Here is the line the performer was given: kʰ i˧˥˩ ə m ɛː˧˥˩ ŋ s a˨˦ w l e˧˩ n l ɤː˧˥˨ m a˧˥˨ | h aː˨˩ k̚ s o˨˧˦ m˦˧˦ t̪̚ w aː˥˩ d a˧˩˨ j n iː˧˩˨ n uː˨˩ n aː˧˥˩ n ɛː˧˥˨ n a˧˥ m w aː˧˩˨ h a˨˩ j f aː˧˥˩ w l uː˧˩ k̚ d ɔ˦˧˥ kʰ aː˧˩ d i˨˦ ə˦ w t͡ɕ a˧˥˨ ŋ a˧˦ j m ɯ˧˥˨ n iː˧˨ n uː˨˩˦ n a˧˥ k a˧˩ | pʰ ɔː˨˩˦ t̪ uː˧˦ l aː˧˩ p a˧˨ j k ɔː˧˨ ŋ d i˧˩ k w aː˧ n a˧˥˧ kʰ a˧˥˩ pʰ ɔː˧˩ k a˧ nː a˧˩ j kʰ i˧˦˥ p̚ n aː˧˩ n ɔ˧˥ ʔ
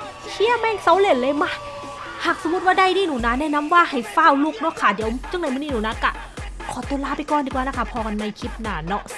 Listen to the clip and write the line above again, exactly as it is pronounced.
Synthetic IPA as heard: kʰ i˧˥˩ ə m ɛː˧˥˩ ŋ s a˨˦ w l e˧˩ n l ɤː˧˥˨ m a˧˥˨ | h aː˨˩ k̚ s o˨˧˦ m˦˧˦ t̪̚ w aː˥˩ d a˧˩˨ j n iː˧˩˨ n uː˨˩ n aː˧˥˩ n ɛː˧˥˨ n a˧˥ m w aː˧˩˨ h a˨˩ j f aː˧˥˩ w l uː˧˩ k̚ n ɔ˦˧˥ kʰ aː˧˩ d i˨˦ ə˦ w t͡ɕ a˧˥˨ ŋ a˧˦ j m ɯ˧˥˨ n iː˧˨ n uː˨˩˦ n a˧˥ k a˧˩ | kʰ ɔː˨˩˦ t̪ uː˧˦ l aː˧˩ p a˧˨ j k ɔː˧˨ n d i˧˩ k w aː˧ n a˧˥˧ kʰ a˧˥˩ pʰ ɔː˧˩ k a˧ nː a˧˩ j kʰ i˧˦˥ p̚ n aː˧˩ n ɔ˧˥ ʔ